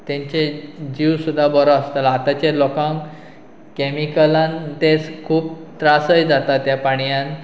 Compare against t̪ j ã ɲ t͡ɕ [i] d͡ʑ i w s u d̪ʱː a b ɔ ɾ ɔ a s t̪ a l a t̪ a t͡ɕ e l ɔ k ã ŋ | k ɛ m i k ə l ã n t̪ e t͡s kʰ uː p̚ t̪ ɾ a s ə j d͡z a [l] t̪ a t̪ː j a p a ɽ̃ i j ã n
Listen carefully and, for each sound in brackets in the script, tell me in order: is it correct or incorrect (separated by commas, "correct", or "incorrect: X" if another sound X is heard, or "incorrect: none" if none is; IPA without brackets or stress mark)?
incorrect: e, incorrect: none